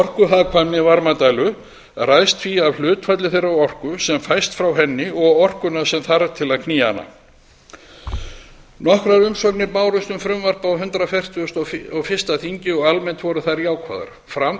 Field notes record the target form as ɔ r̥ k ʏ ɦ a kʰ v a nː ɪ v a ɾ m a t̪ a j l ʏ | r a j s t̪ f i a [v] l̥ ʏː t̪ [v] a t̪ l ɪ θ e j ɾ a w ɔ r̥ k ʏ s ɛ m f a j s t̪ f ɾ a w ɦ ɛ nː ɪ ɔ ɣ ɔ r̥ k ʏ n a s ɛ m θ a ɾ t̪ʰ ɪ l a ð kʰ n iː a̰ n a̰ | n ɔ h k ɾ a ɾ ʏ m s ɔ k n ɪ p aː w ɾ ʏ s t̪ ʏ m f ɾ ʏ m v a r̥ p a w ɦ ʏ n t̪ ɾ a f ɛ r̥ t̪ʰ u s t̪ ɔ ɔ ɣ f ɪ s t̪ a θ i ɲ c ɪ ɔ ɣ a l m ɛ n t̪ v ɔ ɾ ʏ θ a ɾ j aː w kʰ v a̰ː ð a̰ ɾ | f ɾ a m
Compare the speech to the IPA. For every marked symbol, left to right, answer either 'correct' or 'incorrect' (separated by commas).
correct, incorrect